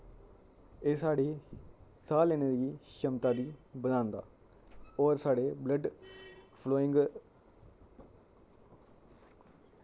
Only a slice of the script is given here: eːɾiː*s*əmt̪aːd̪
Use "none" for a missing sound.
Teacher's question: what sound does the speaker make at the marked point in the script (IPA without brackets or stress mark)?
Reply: ʃ